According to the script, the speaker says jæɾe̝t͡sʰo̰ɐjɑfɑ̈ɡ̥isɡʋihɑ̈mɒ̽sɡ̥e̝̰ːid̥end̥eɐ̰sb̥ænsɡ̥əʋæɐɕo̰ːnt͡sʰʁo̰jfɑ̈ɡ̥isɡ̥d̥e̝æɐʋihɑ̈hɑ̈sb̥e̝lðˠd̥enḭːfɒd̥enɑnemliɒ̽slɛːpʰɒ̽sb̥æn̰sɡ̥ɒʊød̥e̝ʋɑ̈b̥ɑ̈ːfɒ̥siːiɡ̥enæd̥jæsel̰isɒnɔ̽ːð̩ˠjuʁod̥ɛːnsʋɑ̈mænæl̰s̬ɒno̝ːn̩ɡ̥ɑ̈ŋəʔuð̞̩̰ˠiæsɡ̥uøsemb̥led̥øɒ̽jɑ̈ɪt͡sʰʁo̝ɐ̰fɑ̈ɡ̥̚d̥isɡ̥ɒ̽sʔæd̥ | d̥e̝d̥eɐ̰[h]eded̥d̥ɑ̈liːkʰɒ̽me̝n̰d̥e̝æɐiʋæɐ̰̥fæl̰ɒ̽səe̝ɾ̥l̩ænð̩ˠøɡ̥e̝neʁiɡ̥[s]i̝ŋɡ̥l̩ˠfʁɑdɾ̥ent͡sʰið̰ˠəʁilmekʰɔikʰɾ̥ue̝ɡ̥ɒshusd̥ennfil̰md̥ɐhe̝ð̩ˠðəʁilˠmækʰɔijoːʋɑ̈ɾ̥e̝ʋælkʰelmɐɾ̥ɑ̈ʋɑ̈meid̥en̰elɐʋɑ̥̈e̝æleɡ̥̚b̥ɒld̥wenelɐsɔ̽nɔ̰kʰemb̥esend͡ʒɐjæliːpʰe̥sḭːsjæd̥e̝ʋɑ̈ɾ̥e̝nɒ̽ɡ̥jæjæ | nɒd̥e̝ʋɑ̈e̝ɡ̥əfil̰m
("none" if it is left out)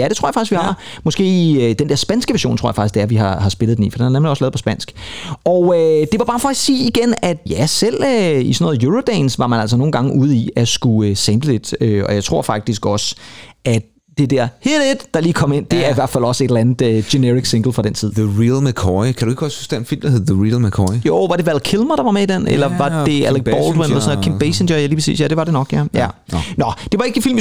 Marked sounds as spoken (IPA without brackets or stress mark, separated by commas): h, s